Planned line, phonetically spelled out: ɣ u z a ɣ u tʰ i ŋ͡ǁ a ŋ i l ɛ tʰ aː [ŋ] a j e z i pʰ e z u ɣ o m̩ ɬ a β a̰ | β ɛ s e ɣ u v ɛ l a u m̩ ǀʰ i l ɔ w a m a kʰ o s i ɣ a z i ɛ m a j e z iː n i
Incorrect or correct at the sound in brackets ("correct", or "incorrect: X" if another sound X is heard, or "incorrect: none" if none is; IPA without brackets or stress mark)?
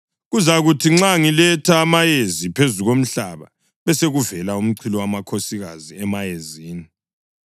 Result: incorrect: m